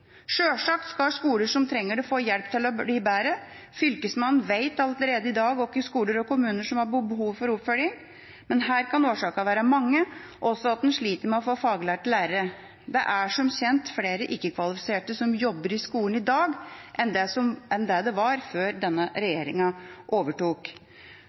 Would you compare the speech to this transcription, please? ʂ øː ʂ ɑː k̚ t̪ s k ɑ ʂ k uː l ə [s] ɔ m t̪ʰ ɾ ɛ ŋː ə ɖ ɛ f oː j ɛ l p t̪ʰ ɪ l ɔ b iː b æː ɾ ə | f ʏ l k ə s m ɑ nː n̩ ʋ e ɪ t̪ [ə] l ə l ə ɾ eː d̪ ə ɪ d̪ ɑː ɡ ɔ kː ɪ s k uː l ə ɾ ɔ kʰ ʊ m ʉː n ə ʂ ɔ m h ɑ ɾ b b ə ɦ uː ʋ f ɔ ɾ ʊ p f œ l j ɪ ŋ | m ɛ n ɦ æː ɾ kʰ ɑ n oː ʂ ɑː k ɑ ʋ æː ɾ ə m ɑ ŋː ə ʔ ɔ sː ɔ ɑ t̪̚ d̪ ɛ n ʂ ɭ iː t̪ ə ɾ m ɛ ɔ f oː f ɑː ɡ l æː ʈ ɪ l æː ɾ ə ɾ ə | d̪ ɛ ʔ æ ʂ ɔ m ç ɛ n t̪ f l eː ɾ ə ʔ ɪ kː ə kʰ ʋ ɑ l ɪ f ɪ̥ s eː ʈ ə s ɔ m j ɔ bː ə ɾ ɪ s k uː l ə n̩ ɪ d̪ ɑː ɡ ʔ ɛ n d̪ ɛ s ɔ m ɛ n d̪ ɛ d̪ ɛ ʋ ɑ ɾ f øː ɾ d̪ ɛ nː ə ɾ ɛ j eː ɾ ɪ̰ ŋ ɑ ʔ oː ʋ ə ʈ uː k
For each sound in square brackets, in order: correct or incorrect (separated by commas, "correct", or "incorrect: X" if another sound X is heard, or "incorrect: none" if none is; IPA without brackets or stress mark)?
incorrect: ʂ, incorrect: ɑ